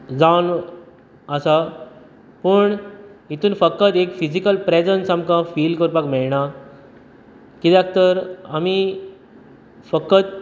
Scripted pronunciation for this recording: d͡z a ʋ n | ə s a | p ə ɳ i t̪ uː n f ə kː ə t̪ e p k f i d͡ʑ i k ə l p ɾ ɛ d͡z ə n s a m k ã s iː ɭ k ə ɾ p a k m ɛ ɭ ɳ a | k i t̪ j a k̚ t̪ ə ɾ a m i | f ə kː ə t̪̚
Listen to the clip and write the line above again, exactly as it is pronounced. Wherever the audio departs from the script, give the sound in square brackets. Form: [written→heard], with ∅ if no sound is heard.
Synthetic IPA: d͡z a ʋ n | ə s a | p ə ɳ i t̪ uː n f ə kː ə t̪ e [p→∅] k f i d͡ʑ i k ə l p ɾ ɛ d͡z ə n s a m k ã [s→f] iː [ɭ→l] k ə ɾ p a k m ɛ ɭ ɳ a | k i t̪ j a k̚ t̪ ə ɾ a m i | f ə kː ə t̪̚